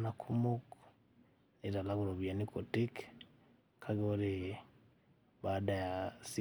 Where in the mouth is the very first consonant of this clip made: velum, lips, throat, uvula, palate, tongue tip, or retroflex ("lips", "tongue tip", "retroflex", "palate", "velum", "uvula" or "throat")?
tongue tip